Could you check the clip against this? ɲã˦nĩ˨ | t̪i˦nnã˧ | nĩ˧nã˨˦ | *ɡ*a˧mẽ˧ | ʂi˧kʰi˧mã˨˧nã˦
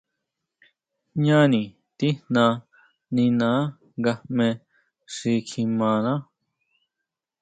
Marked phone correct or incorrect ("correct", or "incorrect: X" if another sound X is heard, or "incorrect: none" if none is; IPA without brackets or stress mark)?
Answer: correct